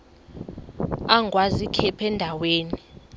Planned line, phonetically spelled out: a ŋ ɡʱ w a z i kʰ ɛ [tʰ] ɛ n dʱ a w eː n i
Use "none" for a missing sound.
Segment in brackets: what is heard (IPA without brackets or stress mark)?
pʰ